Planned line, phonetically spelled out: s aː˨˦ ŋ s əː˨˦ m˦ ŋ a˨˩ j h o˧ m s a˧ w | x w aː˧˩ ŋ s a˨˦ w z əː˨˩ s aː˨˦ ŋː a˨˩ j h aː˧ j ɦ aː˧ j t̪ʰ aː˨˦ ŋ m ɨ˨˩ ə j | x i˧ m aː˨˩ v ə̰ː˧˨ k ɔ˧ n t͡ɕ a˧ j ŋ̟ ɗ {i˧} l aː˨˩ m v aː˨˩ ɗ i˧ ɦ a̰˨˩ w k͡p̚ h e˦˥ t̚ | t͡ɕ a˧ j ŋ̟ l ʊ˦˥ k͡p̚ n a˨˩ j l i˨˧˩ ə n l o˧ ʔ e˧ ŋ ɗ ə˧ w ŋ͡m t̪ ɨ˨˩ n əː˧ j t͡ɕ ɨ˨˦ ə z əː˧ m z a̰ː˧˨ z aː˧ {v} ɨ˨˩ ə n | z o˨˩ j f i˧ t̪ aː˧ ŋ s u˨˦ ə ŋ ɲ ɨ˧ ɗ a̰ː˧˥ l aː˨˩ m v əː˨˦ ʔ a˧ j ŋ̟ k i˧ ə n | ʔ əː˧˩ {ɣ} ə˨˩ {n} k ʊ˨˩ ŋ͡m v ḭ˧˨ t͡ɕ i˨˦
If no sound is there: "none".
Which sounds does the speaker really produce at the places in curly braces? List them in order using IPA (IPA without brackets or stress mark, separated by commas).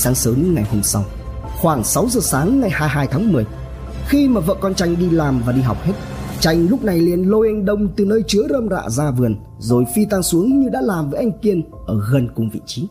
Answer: i˧, v, ɣ, n